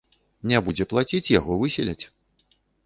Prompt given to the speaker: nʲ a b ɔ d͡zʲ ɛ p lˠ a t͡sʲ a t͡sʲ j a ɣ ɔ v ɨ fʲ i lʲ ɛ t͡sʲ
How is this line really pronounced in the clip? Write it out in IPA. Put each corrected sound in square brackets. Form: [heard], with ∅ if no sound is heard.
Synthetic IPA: nʲ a b [u] d͡zʲ ɛ p lˠ a t͡sʲ [i] t͡sʲ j a ɣ ɔ v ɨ [sʲ] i lʲ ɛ t͡sʲ